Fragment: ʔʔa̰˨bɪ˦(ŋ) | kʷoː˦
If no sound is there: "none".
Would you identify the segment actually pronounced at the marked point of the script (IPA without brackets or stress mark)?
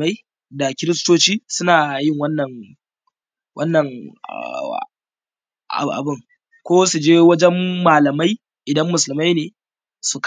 ŋ